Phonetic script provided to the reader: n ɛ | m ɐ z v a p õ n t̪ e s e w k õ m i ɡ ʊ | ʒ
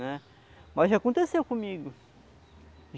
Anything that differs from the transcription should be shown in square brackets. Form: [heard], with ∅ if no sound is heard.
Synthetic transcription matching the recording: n ɛ | m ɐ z [ʒ] a [k] õ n t̪ e s e w k õ m i ɡ ʊ | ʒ